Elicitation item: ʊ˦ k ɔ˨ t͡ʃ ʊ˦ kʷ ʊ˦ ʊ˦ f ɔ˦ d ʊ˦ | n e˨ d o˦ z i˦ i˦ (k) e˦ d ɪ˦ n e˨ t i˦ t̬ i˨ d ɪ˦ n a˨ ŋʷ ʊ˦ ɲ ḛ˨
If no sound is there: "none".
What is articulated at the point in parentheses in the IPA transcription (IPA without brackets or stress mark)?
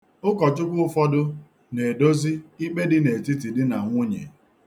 k͡p